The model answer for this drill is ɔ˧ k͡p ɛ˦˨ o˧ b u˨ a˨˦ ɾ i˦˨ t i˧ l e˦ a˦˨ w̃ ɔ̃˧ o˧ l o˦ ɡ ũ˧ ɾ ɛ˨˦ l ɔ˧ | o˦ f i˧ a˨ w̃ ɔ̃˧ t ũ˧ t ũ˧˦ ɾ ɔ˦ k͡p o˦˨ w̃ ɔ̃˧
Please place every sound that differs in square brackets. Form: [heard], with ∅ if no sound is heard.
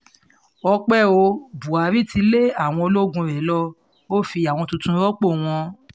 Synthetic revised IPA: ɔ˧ k͡p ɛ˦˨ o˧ b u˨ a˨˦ ɾ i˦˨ t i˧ l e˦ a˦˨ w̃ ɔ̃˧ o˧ l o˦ ɡ ũ˧ ɾ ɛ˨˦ l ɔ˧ | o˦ f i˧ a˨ w̃ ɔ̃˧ t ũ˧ t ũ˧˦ ɾ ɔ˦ k͡p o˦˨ w̃ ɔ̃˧